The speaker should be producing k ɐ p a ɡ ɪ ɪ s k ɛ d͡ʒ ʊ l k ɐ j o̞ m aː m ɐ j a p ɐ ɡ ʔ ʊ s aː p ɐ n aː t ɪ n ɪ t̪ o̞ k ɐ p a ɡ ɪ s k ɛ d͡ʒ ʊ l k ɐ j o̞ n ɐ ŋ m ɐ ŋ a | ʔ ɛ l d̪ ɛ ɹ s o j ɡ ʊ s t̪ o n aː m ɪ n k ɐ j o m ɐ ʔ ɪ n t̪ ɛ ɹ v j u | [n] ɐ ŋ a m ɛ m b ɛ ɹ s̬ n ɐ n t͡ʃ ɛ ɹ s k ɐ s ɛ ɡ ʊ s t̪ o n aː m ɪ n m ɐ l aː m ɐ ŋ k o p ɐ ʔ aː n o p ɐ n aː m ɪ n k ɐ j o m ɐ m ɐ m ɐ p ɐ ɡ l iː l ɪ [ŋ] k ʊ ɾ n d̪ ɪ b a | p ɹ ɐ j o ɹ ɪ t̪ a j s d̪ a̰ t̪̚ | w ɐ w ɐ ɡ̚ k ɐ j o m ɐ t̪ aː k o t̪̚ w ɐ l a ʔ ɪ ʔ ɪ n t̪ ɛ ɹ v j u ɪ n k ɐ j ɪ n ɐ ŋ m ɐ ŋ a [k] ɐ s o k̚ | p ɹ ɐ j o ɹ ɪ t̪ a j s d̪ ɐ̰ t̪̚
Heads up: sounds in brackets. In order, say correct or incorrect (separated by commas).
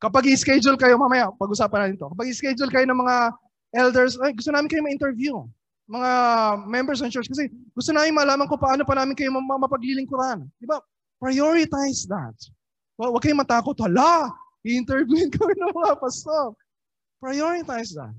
incorrect, correct, incorrect